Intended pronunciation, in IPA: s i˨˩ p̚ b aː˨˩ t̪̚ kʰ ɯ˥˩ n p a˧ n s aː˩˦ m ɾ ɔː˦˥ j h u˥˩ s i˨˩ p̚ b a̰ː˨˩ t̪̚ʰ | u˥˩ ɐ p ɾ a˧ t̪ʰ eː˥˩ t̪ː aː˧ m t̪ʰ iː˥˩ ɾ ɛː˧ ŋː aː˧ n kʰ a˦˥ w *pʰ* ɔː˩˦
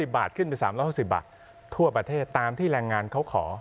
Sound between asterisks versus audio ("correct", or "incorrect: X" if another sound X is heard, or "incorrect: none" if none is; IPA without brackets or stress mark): incorrect: kʰ